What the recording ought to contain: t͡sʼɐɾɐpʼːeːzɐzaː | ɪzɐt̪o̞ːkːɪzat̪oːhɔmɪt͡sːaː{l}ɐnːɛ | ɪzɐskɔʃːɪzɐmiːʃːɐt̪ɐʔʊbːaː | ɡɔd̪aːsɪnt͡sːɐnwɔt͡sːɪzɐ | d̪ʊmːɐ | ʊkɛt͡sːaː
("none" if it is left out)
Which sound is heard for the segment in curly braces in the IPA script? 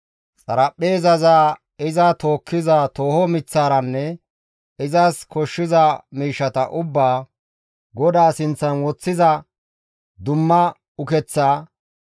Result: ɾ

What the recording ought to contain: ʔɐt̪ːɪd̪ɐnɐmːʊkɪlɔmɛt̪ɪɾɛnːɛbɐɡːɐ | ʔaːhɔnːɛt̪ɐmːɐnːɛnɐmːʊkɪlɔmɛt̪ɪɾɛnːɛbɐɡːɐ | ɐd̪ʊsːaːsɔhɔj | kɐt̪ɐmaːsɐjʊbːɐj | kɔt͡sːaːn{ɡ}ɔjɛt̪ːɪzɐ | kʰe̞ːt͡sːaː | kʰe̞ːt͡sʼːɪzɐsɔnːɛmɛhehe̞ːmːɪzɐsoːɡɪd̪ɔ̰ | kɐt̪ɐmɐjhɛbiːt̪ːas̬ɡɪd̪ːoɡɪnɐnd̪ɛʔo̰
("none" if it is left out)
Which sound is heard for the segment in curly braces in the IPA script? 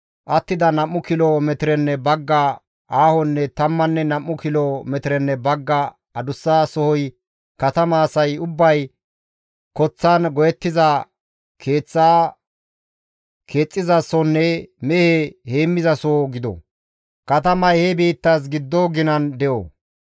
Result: ɡ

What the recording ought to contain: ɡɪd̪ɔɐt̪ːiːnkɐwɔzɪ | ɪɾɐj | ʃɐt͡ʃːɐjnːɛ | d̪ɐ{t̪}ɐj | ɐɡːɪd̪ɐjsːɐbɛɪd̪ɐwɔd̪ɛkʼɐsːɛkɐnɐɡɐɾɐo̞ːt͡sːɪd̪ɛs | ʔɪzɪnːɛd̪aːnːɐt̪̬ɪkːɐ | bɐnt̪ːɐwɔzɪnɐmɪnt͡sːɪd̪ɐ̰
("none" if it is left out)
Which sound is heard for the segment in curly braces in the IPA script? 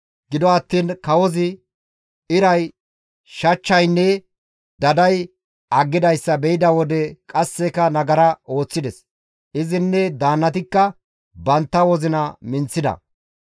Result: d̪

